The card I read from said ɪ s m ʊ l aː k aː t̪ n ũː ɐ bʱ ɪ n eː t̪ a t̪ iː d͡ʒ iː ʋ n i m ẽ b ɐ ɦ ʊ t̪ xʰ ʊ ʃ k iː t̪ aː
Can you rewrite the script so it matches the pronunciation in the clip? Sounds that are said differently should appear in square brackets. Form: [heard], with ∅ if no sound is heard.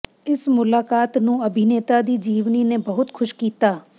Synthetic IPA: ɪ s m ʊ l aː k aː t̪ n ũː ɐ bʱ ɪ n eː t̪ a [d̪] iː d͡ʒ iː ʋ n i [n] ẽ b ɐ ɦ ʊ t̪ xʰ ʊ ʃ k iː t̪ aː